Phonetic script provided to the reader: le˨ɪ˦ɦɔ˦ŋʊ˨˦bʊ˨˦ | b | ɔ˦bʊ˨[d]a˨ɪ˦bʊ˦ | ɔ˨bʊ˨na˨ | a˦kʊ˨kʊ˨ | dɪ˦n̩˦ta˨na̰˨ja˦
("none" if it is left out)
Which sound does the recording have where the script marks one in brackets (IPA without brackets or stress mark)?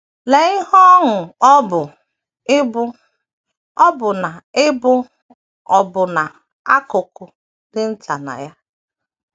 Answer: n